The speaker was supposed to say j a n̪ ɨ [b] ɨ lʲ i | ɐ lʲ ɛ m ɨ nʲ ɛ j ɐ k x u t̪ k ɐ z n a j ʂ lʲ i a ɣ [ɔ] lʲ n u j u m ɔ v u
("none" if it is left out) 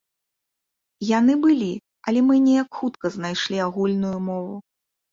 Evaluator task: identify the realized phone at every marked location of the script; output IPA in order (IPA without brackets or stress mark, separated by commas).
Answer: b, u